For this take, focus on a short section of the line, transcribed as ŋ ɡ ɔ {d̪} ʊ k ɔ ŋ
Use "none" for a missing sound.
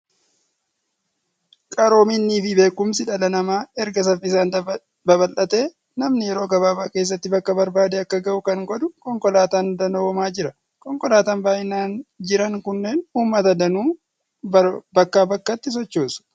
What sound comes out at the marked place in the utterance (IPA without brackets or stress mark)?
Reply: d̪